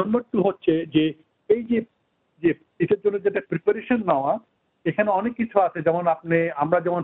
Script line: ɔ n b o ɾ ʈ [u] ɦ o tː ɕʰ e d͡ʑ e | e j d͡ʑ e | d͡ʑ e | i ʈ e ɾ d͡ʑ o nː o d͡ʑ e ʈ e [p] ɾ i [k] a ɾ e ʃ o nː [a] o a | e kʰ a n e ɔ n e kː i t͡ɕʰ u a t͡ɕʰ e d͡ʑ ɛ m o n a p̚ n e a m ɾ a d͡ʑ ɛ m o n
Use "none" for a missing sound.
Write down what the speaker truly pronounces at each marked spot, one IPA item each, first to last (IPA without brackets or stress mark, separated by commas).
u, p, p, a